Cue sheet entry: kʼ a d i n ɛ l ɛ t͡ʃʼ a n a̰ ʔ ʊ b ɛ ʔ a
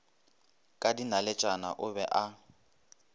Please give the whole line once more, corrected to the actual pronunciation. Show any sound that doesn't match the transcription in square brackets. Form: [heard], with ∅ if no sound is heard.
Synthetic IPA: kʼ a d i n [a] l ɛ t͡ʃʼ a n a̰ ʔ ʊ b ɛ ʔ a

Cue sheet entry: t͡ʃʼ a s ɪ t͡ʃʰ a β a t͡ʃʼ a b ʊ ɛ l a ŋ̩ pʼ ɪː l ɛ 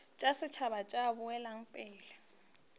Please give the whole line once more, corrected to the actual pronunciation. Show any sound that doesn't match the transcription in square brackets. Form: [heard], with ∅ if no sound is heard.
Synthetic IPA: t͡ʃʼ a s ɪ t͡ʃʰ a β a t͡ʃʼ a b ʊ ɛ l a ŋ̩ pʼ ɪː l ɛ

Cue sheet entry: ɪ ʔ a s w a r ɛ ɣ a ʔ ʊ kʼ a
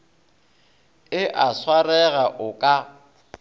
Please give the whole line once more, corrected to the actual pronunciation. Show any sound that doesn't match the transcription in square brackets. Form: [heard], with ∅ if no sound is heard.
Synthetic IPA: ɪ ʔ a s w a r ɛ ɣ a ʔ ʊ kʼ a

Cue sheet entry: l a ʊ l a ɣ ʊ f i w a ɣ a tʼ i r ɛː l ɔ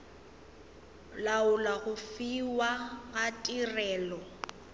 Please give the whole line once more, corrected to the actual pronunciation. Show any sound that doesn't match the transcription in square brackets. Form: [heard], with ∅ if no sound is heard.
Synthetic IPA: l a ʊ l a ɣ ʊ f i w a ɣ a tʼ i r ɛː l ɔ

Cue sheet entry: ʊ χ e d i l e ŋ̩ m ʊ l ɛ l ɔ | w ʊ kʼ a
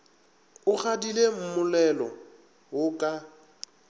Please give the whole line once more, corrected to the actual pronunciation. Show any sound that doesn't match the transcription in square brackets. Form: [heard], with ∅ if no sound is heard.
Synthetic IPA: ʊ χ [a] d i l e [m̩] m ʊ l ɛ l ɔ | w ʊ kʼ a

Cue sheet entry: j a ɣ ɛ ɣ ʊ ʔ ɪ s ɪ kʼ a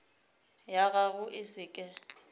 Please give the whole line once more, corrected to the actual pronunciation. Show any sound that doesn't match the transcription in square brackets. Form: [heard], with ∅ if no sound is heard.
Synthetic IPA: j a ɣ [a] ɣ ʊ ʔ ɪ s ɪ kʼ [ɛ]

